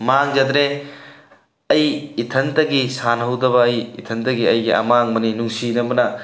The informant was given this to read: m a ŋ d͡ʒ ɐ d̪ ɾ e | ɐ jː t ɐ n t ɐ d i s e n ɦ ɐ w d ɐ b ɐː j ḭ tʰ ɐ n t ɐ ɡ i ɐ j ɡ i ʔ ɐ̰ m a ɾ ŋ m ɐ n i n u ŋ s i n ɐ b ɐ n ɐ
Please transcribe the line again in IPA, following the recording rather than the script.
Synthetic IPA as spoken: m a ŋ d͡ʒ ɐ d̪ ɾ e | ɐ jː tʰ ɐ n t ɐ ɡ i s a n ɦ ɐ w d ɐ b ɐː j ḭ tʰ ɐ n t ɐ ɡ i ɐ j ɡ i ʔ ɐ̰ m a ŋ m ɐ n i n u ŋ s i n ɐ b ɐ n ɐ